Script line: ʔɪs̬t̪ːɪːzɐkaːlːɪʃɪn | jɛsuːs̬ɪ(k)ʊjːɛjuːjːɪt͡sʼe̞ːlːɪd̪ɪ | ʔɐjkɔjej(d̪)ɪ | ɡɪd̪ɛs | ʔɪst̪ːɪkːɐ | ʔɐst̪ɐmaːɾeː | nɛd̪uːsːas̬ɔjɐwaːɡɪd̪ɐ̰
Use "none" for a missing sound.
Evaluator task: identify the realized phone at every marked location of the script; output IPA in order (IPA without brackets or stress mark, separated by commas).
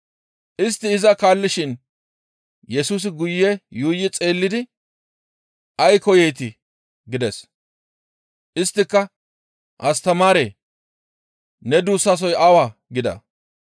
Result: ɡ, t̪